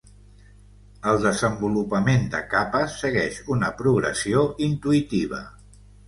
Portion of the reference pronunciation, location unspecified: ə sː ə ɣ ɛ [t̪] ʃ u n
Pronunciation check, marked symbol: incorrect: none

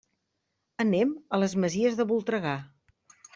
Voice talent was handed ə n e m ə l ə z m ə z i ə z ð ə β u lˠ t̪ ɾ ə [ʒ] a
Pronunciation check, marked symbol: incorrect: ɣ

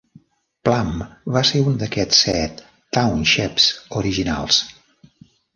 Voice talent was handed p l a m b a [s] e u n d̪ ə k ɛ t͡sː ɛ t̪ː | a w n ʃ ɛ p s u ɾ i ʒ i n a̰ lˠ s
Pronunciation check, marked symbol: correct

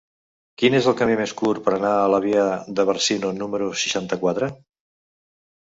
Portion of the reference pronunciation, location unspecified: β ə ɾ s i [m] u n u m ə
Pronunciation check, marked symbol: incorrect: n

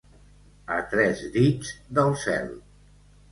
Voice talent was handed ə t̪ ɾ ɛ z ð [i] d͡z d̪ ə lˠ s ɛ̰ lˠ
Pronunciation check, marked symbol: correct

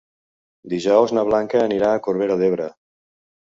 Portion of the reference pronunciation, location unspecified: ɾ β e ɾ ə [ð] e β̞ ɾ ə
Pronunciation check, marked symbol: correct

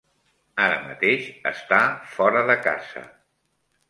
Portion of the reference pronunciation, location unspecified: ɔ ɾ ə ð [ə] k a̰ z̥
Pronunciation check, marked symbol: correct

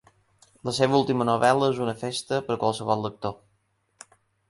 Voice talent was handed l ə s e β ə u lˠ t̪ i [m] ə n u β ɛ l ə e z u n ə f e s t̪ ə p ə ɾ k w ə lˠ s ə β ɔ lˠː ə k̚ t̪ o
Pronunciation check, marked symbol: correct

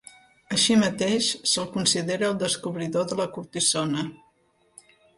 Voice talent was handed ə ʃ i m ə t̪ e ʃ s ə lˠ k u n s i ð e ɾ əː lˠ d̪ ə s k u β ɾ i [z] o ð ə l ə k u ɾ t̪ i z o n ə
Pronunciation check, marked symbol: incorrect: ð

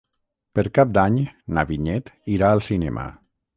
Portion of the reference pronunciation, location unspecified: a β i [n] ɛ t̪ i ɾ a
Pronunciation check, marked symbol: incorrect: ɲ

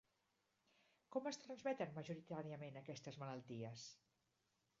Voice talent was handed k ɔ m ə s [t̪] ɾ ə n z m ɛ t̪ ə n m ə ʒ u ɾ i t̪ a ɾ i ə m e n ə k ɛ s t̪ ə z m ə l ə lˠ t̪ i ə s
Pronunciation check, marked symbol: correct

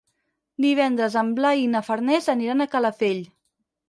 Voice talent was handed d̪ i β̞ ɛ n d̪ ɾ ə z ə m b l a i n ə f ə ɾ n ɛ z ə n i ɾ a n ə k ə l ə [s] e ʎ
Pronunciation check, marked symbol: incorrect: f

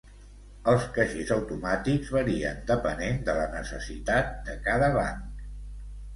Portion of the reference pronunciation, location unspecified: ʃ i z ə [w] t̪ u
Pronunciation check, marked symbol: correct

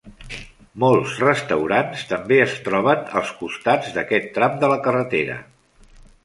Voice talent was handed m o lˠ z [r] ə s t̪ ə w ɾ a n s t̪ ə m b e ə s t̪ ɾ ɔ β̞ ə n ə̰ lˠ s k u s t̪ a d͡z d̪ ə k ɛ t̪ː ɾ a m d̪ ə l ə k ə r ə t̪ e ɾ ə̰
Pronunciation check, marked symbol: correct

